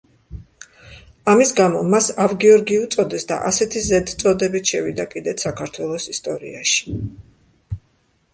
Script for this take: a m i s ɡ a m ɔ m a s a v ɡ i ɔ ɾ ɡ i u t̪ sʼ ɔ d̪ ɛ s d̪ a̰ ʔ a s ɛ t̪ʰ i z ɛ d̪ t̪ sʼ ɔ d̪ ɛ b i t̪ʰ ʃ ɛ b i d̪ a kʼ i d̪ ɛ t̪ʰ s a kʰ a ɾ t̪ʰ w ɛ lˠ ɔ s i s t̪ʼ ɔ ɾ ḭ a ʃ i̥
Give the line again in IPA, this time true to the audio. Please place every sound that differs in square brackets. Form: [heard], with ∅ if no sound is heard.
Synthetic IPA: a m i s ɡ a m ɔ m a s a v ɡ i ɔ ɾ ɡ i u t̪ sʼ ɔ d̪ ɛ s d̪ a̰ ʔ a s ɛ t̪ʰ i z ɛ d̪ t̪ sʼ ɔ d̪ ɛ b i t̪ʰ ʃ ɛ [v] i d̪ a kʼ i d̪ ɛ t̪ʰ s a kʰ a ɾ t̪ʰ w ɛ lˠ ɔ s i s t̪ʼ ɔ ɾ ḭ a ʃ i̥